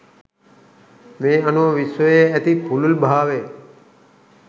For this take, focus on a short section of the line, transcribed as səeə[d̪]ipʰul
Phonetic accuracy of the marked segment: incorrect: t̪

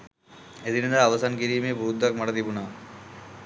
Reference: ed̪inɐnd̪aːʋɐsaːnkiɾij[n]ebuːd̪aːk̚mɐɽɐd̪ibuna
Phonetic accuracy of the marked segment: incorrect: m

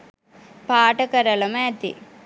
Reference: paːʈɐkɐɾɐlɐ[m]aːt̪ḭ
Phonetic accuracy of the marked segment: correct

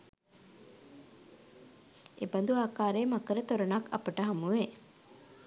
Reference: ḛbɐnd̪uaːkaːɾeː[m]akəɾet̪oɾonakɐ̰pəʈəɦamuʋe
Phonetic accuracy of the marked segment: correct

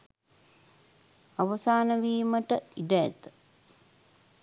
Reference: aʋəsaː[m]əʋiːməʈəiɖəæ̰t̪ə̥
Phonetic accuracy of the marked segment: incorrect: n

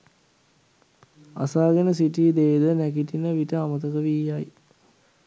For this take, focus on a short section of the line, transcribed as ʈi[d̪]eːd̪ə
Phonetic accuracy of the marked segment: correct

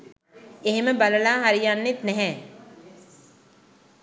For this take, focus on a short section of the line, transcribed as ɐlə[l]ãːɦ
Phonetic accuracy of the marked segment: correct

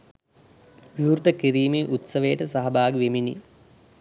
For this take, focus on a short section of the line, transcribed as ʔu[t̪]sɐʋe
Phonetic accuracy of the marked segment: correct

